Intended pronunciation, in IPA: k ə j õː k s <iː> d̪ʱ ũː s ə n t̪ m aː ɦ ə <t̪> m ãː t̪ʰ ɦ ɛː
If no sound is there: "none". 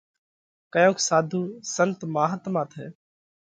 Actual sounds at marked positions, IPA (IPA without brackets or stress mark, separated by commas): aː, t̪